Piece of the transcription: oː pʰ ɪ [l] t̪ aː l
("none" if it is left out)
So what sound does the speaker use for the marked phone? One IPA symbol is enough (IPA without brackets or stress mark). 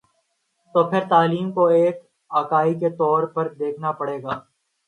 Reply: ɾ